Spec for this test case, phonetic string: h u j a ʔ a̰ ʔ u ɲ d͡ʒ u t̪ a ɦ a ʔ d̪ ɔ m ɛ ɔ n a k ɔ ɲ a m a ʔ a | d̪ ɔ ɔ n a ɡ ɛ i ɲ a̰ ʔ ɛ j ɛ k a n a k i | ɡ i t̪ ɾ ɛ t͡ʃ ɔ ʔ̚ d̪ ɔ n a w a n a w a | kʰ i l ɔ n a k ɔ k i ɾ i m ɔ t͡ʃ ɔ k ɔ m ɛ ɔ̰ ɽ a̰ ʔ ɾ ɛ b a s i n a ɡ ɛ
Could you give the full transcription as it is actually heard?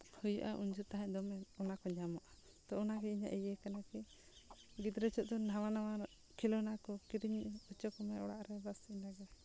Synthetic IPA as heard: h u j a ʔ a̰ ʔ u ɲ d͡ʒ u t̪ a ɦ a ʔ d̪ ɔ m ɛ ɔ n a k ɔ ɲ a m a ʔ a | t̪ ɔ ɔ n a ɡ ɛ i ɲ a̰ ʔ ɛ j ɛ k a n a k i | ɡ i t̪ ɾ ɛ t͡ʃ ɔ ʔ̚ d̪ ɔ n a w a n a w a | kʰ i l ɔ n a k ɔ k i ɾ i ɲ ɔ t͡ʃ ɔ k ɔ m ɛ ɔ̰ ɽ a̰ ʔ ɾ ɛ b a s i n a ɡ ɛ